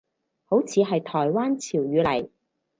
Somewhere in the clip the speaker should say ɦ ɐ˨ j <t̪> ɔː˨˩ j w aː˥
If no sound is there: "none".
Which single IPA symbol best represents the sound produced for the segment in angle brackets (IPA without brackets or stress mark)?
t̪ʰ